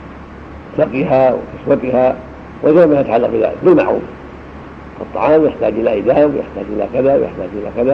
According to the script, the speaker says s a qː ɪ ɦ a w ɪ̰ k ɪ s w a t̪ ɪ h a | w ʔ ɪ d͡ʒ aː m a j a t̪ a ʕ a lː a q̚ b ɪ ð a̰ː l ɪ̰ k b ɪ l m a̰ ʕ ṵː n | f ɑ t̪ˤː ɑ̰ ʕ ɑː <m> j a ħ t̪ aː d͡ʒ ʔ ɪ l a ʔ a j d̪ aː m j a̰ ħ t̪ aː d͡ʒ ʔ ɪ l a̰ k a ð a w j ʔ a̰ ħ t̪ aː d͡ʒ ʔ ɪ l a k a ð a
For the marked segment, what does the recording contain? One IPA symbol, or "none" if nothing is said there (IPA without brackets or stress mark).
m